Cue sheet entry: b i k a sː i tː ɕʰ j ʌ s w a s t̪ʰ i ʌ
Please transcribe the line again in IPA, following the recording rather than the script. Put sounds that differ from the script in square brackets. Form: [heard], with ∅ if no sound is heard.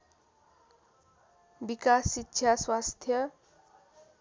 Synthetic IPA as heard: b i k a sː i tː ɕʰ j [a] s w a s t̪ʰ [j] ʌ